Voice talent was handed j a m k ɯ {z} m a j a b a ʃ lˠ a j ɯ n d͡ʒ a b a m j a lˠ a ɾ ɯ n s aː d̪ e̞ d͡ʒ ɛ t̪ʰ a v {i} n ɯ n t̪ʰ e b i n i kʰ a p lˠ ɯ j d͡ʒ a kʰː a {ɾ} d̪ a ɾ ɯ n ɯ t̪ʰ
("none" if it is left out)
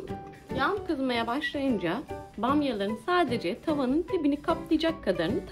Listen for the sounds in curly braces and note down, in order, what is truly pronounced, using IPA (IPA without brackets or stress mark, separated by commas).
z, a, none